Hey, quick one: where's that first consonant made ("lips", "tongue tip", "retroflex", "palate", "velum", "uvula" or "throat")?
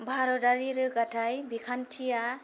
lips